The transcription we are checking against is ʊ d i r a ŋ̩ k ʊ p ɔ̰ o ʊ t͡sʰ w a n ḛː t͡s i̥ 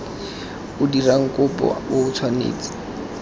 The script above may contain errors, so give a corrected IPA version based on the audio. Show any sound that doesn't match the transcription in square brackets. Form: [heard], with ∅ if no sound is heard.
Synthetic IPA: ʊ d i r a ŋ̩ k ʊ p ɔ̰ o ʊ t͡sʰ w a n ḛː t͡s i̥